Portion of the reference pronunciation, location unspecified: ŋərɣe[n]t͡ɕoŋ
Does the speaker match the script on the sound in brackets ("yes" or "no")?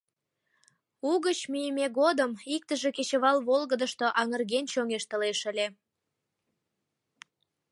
yes